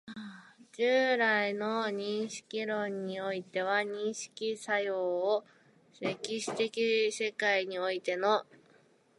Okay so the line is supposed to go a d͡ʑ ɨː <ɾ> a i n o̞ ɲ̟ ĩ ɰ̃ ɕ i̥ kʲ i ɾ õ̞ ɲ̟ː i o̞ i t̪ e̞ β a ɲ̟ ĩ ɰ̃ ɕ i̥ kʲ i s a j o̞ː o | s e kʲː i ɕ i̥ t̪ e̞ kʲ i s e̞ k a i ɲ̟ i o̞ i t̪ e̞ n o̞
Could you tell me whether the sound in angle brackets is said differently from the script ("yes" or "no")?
no